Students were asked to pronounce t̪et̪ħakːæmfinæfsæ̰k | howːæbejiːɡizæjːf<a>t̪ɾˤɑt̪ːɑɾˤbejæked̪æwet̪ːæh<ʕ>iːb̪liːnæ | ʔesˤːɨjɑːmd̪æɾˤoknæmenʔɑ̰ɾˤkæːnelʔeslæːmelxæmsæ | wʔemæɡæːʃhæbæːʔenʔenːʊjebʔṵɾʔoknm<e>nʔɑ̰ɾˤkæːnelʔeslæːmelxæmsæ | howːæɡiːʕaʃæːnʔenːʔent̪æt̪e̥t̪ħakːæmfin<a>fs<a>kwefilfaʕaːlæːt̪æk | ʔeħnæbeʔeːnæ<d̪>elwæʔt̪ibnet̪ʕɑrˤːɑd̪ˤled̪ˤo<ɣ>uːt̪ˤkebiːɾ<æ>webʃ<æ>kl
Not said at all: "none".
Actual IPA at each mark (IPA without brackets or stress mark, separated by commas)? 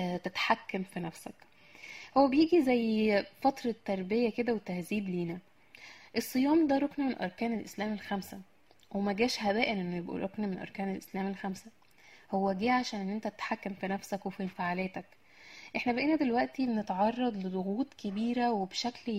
ɑ, z, e, æ, æ, d̪, ɣ, æ, æ